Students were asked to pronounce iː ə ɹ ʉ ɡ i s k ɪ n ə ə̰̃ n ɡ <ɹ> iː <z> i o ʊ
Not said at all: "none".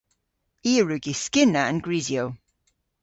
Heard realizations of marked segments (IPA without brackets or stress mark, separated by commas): ɹ, z